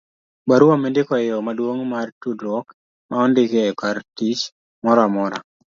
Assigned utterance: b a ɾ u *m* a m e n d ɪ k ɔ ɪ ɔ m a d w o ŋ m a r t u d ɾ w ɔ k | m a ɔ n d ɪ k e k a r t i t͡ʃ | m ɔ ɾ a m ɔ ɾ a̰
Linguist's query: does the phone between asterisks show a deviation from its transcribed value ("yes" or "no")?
yes